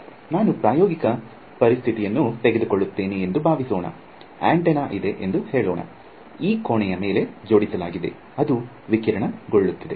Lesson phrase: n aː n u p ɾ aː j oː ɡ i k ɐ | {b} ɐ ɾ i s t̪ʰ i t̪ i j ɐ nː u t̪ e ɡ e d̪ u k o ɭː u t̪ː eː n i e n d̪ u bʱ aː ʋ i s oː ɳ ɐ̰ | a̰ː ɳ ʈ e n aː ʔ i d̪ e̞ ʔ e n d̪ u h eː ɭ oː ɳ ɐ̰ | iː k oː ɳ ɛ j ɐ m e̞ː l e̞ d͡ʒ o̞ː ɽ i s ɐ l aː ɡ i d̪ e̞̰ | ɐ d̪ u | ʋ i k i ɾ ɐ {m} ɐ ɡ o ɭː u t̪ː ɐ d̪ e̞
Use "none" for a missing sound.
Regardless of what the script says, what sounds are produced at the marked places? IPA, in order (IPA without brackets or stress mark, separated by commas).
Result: p, ɳ